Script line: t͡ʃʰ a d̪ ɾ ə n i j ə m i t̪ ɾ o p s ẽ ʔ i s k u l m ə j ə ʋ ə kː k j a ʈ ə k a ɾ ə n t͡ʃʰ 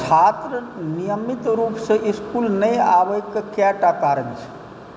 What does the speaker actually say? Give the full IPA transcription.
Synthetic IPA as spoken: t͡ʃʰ a t̪ ɾ ə n i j ə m i t̪ ɾ u p s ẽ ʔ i s k u l n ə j a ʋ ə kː k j a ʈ a k a ɾ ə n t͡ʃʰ

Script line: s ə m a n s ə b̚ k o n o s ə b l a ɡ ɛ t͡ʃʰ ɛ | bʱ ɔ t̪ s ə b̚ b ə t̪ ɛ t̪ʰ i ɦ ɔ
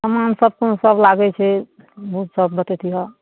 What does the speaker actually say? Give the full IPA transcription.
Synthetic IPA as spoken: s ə m a n s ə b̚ k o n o s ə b l a ɡ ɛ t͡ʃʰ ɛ | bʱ u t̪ s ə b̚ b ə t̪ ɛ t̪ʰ i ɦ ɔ

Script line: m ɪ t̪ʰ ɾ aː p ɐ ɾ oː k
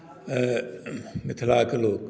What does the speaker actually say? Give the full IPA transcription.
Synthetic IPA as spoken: m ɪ t̪ʰ l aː k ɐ l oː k

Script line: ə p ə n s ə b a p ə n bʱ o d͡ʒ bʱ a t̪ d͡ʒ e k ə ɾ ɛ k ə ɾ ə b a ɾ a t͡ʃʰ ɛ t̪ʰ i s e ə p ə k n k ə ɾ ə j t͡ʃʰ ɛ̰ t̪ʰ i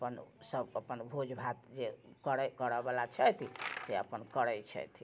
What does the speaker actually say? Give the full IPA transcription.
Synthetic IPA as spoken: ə p ə n s ə b ə p ə n bʱ o d͡ʒ bʱ a t̪ d͡ʒ e k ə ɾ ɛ k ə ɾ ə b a l a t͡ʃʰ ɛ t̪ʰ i s e ə p ə n k ə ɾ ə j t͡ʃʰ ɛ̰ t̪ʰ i

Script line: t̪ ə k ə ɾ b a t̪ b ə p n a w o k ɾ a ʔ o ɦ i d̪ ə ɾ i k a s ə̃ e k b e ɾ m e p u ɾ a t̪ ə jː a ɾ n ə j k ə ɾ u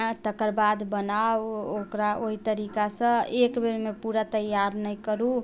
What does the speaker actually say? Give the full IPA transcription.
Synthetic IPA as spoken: t̪ ə k ə ɾ b a d̪ b ə n a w o k ɾ a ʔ o ɦ i t̪ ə ɾ i k a s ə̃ e k b e ɾ m e p u ɾ a t̪ ə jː a ɾ n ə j k ə ɾ u

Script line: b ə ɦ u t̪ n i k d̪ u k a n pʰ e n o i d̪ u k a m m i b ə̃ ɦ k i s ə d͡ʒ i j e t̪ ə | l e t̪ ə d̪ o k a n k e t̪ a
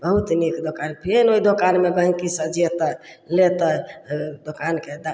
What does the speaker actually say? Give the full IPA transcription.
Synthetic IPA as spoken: b ə ɦ u t̪ n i k d̪ o k a n pʰ e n o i d̪ o k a n m e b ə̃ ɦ k i s ə d͡ʒ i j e t̪ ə | l e t̪ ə d̪ o k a n k e d̪ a

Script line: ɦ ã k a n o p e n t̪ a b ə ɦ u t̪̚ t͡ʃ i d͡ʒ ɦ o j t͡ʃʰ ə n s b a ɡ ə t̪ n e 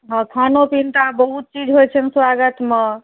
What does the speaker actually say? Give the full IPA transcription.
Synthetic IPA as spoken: ɦ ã kʰ a n o p i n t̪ a b ə ɦ u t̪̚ t͡ʃ i d͡ʒ ɦ o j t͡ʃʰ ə n s w a ɡ ə t̪ m e

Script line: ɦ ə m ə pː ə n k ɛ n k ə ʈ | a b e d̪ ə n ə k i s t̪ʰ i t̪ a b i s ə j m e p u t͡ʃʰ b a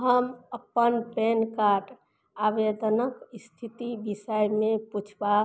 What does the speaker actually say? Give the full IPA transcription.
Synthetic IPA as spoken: ɦ ə m ə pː ə n p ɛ n k a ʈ | a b e d̪ ə n ə k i s t̪ʰ i t̪ i b i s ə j m e p u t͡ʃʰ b a

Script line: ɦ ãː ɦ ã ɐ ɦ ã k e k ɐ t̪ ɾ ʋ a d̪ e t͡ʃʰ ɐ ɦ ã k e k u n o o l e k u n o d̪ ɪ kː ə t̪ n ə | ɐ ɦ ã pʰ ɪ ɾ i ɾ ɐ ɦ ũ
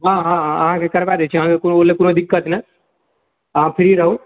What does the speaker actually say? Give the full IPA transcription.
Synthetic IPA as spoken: ɦ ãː ɦ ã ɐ ɦ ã k e k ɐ ɾ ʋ a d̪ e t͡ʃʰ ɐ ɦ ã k e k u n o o l e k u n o d̪ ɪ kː ə t̪ n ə | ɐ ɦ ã pʰ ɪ ɾ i ɾ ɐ ɦ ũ

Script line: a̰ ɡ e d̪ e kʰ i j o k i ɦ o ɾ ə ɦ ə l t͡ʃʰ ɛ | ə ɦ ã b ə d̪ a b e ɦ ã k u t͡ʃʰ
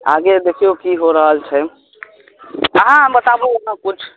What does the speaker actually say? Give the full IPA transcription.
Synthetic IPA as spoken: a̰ ɡ e d̪ e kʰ i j o k i ɦ o ɾ ə ɦ ə l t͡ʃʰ ɛ | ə ɦ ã b ə t̪ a b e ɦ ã k u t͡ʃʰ

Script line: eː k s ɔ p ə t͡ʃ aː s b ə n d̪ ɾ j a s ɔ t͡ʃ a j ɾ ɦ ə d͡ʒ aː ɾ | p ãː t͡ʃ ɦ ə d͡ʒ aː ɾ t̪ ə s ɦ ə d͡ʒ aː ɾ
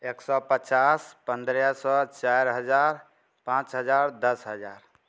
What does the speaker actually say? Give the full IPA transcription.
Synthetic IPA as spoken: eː k s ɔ p ə t͡ʃ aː s p ə n d̪ ɾ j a s ɔ t͡ʃ a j ɾ ɦ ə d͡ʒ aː ɾ | p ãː t͡ʃ ɦ ə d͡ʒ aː ɾ d̪ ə s ɦ ə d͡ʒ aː ɾ

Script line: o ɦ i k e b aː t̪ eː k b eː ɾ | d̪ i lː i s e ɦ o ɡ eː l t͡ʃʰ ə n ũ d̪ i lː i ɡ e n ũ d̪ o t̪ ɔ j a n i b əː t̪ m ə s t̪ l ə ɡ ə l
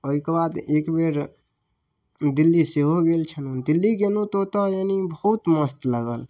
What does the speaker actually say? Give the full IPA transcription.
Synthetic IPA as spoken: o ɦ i k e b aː d̪ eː k b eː ɾ | d̪ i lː i s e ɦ o ɡ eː l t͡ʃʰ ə n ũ d̪ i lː i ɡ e n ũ t̪ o t̪ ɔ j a n i b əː t̪ m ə s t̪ l ə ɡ ə l

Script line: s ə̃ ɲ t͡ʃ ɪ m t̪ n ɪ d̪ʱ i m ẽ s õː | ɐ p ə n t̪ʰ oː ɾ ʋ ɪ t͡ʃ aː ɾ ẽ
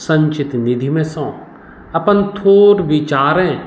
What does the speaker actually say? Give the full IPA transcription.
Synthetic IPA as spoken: s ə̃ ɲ t͡ʃ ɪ t̪ n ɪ d̪ʱ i m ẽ s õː | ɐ p ə n t̪ʰ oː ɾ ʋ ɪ t͡ʃ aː ɾ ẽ

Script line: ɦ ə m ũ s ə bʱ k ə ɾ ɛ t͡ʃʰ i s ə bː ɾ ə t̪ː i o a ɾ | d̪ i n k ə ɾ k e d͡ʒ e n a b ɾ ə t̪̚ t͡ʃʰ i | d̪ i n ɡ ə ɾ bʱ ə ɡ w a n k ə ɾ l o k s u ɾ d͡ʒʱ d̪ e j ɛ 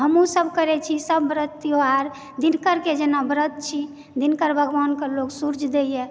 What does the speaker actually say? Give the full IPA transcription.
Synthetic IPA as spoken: ɦ ə m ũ s ə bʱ k ə ɾ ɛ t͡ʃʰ i s ə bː ɾ ə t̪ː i o a ɾ | d̪ i n k ə ɾ k e d͡ʒ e n a b ɾ ə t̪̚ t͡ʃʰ i | d̪ i n k ə ɾ bʱ ə ɡ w a n k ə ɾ l o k s u ɾ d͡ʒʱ d̪ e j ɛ

